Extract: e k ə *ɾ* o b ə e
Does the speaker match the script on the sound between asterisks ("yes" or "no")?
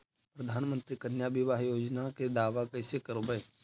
yes